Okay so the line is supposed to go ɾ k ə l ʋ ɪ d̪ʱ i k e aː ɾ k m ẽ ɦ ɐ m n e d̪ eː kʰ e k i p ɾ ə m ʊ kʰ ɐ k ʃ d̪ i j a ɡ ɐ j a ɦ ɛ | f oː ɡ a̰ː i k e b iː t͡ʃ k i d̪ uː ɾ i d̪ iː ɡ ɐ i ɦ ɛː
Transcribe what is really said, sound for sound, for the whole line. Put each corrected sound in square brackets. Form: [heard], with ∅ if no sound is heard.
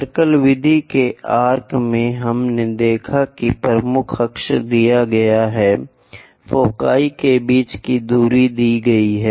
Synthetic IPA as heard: ɾ k ə l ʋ ɪ d̪ʱ i k e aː ɾ k m ẽ ɦ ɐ m n e d̪ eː kʰ [a] k i p ɾ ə m ʊ kʰ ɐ k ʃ d̪ i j a ɡ ɐ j a ɦ ɛ | f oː [k] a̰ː i k e b iː t͡ʃ k i d̪ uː ɾ i d̪ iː ɡ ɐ i ɦ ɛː